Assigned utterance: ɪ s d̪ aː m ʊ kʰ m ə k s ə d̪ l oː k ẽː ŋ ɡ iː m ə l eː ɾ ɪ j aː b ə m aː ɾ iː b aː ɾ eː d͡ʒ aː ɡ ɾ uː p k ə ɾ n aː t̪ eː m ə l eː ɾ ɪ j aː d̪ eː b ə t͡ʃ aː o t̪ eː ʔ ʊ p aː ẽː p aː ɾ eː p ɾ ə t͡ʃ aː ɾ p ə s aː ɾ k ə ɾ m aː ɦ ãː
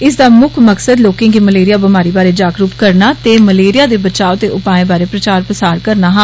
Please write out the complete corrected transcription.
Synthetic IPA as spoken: ɪ s d̪ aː m ʊ kʰ m ə k s ə d̪ l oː k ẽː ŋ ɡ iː m ə l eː ɾ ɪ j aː b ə m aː ɾ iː b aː ɾ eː d͡ʒ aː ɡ ɾ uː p k ə ɾ n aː t̪ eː m ə l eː ɾ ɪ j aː d̪ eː b ə t͡ʃ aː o t̪ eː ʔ ʊ p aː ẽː b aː ɾ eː p ɾ ə t͡ʃ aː ɾ p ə s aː ɾ k ə ɾ n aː ɦ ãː

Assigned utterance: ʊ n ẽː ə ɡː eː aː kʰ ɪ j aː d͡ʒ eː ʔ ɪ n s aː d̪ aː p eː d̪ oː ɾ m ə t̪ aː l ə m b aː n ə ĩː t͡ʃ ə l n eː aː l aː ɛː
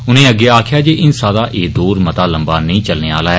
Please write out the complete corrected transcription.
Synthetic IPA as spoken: ʊ n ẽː ə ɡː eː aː kʰ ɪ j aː d͡ʒ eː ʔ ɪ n s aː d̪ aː ʔ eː d̪ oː ɾ m ə t̪ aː l ə m b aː n ə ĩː t͡ʃ ə l n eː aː l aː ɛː

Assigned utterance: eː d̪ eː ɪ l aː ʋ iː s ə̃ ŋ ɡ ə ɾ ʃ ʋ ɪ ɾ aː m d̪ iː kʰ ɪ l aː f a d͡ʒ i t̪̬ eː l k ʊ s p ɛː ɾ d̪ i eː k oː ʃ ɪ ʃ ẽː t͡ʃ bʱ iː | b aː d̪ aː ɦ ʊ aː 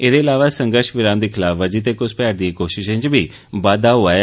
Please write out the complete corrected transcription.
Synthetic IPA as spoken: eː d̪ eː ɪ l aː ʋ aː s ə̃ ŋ ɡ ə ɾ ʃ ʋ ɪ ɾ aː m d̪ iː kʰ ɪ l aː f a d͡ʒ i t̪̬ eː k ʊ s p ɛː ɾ d̪ i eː k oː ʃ ɪ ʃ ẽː t͡ʃ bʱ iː | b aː d̪ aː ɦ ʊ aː

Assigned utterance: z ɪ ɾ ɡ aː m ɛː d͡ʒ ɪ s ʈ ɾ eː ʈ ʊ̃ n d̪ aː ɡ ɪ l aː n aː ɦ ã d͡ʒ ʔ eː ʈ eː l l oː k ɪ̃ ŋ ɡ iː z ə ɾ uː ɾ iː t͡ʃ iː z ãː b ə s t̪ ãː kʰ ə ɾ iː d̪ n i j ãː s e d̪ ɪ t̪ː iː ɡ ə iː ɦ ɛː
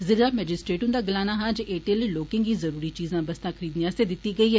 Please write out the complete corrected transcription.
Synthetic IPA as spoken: z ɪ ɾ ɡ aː m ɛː d͡ʒ ɪ s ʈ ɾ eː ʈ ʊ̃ n d̪ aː ɡ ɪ l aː n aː ɦ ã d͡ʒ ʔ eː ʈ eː l l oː k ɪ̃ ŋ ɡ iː z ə ɾ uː ɾ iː t͡ʃ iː z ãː b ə s t̪ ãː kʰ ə ɾ iː d̪ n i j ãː s e d̪ ɪ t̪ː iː ɡ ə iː ɦ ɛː

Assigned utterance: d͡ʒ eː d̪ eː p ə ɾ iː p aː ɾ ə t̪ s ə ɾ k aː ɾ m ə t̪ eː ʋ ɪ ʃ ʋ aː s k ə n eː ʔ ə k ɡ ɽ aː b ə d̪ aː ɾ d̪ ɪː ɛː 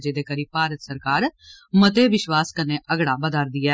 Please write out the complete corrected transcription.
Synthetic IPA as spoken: d͡ʒ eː d̪ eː k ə ɾ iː p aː ɾ ə t̪ s ə ɾ k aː ɾ m ə t̪ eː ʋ ɪ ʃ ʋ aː s k ə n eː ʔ ə ɡ ɽ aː b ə d̪ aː ɾ d̪ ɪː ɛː

